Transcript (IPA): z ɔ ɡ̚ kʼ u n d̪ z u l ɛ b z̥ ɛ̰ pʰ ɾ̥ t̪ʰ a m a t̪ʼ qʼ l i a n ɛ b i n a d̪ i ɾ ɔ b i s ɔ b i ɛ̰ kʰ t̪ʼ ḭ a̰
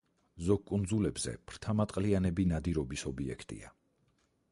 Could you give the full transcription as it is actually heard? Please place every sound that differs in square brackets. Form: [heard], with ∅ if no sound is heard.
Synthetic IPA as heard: z ɔ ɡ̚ kʼ u n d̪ z u l ɛ b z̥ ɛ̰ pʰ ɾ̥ t̪ʰ a m a t̪ʼ qʼ l i a n ɛ b i n a d̪ i ɾ ɔ b i s ɔ b i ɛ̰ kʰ t̪ʼ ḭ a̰